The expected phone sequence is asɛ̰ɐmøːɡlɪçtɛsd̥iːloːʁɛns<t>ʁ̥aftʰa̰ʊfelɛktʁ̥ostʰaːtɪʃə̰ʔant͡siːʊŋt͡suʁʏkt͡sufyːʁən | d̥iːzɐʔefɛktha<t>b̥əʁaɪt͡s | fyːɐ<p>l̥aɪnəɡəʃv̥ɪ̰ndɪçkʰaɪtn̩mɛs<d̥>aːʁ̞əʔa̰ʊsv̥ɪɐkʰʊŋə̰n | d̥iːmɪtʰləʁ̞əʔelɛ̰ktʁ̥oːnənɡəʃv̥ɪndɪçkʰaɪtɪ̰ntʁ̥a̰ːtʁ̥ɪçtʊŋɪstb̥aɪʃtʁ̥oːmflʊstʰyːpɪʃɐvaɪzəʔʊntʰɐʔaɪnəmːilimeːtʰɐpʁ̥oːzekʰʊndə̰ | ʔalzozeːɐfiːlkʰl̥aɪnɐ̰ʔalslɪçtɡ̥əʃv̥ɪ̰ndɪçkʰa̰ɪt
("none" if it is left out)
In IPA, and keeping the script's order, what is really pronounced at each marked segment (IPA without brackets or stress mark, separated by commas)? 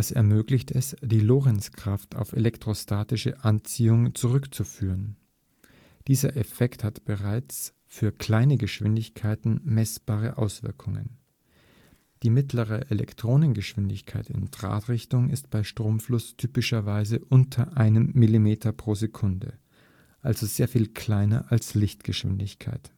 k, t, k, b̥